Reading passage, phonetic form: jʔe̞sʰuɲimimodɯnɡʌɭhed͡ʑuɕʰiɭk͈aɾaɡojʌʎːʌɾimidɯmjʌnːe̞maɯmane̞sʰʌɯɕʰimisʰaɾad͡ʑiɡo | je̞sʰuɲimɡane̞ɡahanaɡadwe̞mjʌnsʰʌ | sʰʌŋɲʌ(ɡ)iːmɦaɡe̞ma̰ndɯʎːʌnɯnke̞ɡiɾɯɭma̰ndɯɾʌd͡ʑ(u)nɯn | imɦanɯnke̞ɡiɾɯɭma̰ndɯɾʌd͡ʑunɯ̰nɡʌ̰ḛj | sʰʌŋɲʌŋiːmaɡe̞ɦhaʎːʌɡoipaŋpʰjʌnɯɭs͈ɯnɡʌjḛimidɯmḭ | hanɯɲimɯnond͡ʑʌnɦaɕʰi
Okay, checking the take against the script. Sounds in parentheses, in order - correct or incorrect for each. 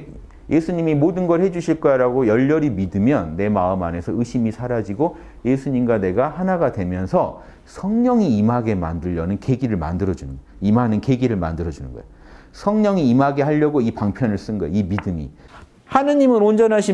incorrect: ŋ, correct

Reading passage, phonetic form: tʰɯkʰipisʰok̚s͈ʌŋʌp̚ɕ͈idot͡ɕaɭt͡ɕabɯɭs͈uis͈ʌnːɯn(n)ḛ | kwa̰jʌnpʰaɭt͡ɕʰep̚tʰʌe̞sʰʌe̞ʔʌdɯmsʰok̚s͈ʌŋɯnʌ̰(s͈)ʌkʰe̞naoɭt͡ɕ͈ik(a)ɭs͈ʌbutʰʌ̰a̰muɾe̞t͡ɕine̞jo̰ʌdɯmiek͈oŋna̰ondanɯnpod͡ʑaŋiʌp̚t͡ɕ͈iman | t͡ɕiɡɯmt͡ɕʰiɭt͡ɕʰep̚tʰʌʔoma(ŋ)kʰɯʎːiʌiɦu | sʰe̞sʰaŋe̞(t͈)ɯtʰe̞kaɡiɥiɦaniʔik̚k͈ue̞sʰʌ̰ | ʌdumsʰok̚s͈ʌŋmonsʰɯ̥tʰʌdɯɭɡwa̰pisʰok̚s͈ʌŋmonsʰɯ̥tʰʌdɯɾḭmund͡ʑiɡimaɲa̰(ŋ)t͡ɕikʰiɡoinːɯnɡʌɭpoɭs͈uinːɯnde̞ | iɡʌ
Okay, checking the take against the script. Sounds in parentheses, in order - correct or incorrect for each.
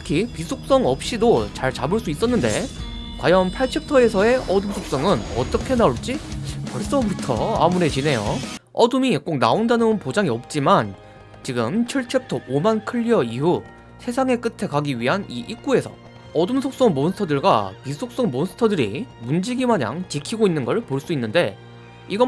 incorrect: d, incorrect: t͈, incorrect: ʌ, incorrect: n, incorrect: k͈, correct

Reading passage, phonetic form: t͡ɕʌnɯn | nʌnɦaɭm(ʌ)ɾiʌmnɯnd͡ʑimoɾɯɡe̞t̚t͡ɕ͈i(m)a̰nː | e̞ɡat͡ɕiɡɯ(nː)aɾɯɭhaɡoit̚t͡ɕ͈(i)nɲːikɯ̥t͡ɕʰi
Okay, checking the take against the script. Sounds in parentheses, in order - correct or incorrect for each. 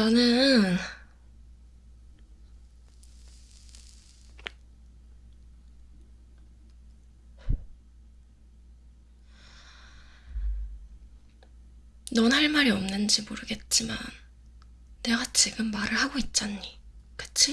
incorrect: a, correct, incorrect: mː, incorrect: a

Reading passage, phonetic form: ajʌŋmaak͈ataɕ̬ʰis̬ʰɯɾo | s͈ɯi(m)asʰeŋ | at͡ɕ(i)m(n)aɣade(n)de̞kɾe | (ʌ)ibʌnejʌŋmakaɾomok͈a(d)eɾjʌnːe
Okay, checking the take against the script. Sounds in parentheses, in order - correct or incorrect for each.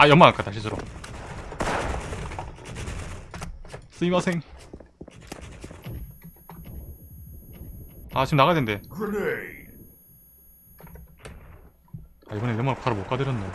correct, correct, correct, correct, incorrect: a, correct

